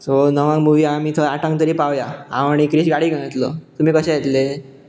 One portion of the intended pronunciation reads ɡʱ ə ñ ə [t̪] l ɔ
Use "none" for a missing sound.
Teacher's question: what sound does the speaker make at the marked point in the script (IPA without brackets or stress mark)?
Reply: t̪